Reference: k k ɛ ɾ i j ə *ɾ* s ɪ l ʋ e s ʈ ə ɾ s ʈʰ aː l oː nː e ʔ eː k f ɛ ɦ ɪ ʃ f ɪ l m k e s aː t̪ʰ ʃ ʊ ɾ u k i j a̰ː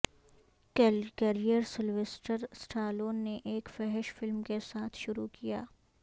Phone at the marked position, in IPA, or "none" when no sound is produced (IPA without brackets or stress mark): ɾ